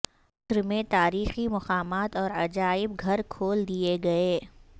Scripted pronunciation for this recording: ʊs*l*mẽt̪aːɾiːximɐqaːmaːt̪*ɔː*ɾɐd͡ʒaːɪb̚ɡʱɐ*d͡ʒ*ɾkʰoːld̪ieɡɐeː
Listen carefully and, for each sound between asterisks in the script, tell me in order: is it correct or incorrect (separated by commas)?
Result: incorrect, correct, incorrect